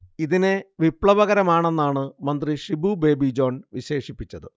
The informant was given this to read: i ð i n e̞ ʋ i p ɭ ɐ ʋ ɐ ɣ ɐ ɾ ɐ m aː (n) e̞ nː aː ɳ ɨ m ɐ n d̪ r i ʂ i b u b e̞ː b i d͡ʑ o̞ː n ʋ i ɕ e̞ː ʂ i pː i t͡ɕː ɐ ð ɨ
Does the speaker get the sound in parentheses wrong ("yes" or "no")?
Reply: yes